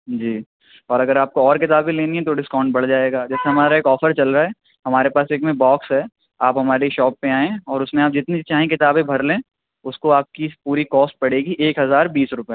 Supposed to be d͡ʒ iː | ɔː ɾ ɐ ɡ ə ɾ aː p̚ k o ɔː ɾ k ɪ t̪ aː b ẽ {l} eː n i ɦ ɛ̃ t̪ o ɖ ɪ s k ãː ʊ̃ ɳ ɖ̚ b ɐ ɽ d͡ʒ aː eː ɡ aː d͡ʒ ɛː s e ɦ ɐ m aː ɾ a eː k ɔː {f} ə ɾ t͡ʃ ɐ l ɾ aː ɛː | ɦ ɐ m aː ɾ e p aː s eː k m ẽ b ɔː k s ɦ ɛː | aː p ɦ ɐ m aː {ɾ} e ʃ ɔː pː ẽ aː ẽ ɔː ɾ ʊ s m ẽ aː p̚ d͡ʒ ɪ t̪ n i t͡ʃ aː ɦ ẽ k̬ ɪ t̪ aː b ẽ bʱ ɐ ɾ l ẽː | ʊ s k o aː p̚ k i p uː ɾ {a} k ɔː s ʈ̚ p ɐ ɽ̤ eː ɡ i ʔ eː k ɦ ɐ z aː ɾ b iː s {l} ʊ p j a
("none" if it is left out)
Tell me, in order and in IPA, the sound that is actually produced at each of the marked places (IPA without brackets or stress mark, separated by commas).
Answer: l, f, ɾ, i, ɾ